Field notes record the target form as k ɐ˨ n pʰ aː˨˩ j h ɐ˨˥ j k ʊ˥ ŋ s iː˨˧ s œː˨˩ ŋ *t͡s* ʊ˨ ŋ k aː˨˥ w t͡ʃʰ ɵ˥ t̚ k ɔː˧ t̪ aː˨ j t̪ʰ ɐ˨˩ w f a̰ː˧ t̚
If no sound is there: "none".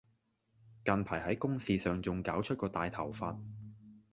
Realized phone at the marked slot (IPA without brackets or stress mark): t͡s